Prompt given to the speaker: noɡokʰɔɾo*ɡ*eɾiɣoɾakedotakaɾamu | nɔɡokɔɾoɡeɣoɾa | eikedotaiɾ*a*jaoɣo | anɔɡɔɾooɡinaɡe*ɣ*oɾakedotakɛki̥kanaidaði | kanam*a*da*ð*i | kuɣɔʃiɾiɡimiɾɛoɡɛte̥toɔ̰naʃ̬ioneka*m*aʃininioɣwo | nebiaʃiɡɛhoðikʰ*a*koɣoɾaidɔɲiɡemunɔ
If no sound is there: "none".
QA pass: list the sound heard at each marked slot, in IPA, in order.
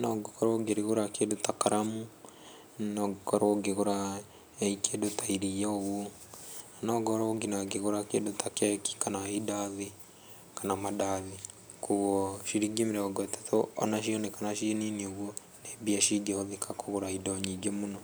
ɡ, i, ɣ, a, ð, n, a

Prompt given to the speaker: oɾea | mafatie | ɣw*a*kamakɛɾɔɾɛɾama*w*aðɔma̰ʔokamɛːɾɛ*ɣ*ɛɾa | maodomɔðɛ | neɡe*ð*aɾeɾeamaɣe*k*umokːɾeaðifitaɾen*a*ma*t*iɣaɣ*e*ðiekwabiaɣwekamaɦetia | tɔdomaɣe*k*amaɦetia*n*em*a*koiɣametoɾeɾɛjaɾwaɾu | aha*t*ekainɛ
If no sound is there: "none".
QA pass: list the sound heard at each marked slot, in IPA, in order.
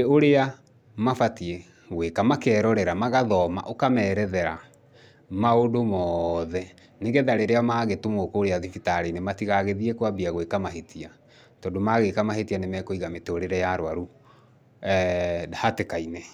e, ɣ, ð, ð, t, e, t, e, k, n, ɛ, t

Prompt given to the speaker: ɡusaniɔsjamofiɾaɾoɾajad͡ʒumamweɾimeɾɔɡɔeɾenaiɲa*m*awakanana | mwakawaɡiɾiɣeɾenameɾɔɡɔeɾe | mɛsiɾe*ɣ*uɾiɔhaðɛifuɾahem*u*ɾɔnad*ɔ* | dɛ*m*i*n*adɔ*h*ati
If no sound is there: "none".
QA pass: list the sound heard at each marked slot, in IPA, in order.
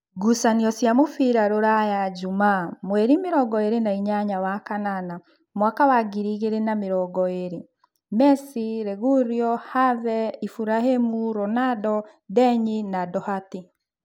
ɲ, ɣ, u, ɔ, ɲ, n, h

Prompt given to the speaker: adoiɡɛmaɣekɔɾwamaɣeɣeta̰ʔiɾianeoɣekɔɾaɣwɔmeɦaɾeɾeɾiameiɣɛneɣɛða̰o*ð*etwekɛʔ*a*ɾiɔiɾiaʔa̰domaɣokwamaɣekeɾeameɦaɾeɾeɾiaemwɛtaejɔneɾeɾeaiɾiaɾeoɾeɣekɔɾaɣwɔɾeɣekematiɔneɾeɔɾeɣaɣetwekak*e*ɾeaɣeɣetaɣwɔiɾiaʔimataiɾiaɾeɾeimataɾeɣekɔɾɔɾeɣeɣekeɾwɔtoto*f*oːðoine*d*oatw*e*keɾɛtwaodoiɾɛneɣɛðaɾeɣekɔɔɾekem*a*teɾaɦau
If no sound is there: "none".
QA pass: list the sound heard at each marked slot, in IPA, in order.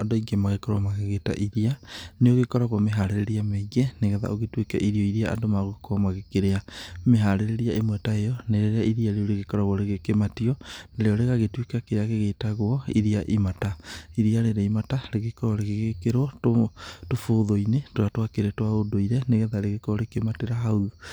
ɣ, i, e, f, t, a, a

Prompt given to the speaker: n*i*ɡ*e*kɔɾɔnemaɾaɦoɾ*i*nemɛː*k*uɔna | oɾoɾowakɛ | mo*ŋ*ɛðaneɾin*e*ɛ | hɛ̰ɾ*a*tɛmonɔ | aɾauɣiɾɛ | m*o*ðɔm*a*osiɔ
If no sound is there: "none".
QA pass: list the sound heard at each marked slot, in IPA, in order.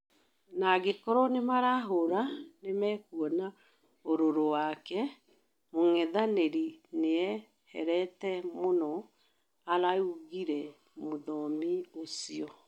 a, e, a, k, ŋ, e, ɛ, o, i

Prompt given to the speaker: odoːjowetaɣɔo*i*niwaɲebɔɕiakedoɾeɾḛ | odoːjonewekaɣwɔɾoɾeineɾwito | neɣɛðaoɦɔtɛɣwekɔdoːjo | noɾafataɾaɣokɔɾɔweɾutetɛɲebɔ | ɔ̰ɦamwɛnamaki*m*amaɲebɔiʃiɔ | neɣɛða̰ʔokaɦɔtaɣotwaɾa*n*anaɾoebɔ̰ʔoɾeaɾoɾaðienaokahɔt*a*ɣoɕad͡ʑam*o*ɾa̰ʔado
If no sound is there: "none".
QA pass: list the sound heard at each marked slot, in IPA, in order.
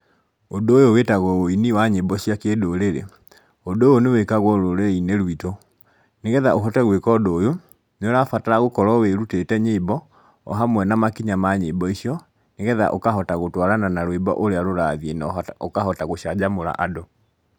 i, ɲ, n, a, o

